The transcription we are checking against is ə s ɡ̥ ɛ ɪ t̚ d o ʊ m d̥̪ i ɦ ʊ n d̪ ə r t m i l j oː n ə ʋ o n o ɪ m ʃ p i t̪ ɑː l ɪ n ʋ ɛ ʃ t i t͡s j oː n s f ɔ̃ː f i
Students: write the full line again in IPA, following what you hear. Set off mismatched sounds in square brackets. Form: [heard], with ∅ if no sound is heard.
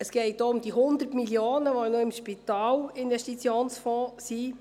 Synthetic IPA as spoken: ə s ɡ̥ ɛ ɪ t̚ d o ʊ m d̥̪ i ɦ ʊ n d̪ ə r t m i l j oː n ə ʋ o n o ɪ m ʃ p i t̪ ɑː l ɪ n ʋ ɛ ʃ t i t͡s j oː n s f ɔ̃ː [s] i